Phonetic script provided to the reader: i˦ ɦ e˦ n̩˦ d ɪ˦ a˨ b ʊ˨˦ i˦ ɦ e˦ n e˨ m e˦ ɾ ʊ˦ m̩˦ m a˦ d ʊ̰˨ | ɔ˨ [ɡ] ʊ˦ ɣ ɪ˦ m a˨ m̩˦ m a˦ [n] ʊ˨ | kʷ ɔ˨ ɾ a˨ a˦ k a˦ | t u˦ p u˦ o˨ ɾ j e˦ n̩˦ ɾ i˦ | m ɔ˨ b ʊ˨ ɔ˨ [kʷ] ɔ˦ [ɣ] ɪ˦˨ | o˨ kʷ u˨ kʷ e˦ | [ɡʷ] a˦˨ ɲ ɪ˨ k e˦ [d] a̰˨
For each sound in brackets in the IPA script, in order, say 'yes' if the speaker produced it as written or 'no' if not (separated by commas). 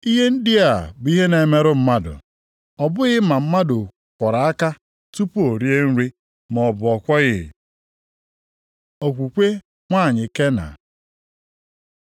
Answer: no, no, yes, yes, no, no